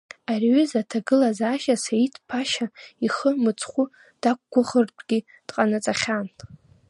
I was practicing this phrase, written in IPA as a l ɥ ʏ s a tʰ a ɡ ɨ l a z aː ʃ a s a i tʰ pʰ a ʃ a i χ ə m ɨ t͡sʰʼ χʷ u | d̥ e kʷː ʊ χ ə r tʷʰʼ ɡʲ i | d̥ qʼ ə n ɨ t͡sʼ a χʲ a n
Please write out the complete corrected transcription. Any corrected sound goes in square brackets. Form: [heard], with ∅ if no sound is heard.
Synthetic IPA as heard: a [r] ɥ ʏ [z] a tʰ a ɡ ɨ l a z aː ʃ a s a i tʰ pʰ a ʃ a i χ ə m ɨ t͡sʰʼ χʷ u | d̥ [a] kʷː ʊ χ ə r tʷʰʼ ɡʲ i | d̥ qʼ [a] n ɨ t͡sʼ a χʲ a n